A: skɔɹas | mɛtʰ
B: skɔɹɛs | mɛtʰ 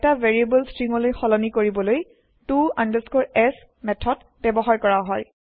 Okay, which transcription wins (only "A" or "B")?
B